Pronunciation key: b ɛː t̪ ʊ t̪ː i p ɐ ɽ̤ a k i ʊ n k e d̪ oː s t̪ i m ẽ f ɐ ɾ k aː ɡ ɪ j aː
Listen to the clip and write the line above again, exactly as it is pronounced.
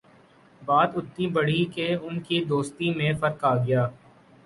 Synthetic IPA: b aː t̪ ʊ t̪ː i b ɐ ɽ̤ i k e ʊ n k i d̪ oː s t̪ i m ẽ f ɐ ɾ k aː ɡ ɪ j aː